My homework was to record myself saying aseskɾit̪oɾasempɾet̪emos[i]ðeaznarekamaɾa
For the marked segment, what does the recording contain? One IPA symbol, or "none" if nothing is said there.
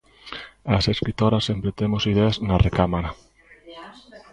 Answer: i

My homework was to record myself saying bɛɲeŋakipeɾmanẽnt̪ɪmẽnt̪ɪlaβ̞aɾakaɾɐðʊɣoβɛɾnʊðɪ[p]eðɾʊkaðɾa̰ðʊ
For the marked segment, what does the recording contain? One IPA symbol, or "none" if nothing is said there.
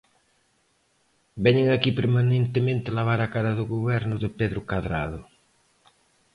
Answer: p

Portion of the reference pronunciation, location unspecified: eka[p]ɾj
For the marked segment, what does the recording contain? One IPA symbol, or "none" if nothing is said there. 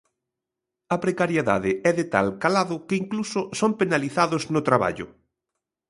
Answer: none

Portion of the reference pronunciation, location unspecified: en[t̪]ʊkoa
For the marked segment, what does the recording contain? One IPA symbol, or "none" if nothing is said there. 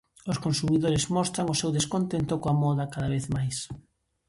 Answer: t̪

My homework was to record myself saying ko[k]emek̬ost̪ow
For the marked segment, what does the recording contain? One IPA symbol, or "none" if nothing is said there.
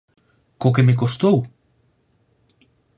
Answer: k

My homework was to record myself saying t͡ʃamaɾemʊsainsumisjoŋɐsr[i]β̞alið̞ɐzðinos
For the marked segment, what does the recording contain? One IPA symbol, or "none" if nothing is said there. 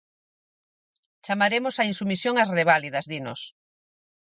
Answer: e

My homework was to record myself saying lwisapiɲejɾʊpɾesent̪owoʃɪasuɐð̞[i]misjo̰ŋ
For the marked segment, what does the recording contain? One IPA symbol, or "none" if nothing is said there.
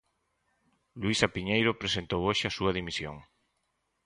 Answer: i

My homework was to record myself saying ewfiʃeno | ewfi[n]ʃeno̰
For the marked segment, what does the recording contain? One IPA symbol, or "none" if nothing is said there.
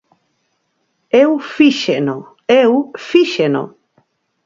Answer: none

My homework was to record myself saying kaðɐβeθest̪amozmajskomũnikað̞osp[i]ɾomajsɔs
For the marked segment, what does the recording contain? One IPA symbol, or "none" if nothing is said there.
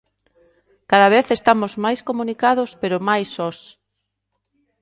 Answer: e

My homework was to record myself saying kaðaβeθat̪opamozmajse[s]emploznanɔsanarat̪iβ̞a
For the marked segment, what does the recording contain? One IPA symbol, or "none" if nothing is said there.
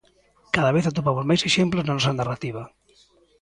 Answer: ʃ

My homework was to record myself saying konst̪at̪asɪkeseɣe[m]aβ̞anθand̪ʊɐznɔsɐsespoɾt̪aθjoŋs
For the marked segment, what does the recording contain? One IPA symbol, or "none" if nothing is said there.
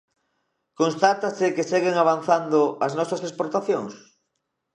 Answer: ŋ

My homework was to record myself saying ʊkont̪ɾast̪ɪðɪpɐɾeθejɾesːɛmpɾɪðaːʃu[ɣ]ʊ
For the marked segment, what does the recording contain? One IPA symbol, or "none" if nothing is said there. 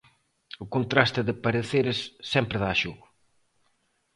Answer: ɣ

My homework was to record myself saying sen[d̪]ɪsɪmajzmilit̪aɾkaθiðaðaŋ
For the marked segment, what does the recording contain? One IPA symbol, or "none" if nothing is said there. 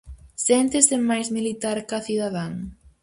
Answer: t̪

